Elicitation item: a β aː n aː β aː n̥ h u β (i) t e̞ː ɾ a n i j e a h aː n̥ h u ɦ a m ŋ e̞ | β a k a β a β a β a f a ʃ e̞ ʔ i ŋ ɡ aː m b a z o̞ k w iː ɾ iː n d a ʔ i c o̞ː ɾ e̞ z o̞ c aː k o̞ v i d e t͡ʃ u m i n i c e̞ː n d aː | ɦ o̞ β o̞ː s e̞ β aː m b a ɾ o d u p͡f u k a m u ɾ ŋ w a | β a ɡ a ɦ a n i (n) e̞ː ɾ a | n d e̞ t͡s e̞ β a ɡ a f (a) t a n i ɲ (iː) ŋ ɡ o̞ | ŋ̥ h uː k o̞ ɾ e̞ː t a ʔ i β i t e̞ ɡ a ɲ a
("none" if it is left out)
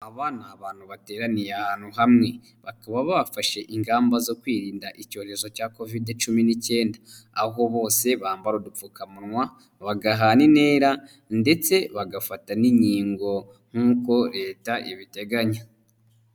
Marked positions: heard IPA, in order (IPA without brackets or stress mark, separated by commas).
a, n, a, iː